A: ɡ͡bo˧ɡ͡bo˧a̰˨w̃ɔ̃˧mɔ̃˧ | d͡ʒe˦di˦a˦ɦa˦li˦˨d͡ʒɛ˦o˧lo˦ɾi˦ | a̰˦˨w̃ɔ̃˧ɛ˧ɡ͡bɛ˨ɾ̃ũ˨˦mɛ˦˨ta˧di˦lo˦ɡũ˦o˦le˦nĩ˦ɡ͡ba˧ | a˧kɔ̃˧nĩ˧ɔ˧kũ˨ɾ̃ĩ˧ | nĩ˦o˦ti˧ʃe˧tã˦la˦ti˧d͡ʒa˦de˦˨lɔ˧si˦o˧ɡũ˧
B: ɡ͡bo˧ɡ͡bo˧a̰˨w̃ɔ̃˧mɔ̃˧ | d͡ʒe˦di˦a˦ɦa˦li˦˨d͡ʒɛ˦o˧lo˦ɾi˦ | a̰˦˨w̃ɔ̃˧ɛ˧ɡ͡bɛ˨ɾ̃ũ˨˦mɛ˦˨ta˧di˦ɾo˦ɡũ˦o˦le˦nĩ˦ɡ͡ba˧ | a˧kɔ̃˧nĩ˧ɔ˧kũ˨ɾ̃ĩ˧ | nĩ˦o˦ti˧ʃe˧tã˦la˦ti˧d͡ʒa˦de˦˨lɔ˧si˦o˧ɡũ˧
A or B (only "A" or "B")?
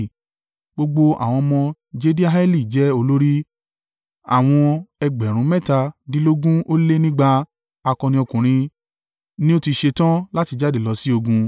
A